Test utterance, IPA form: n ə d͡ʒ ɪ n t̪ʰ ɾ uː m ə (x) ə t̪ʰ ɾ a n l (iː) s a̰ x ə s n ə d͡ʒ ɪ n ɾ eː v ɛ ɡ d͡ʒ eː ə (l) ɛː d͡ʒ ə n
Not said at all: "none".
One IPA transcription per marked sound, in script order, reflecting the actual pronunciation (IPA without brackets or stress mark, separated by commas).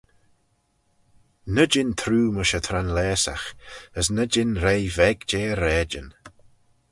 ʃ, ɛː, ɾ